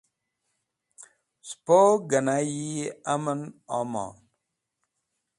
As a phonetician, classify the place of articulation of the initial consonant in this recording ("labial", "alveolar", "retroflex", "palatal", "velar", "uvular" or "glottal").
alveolar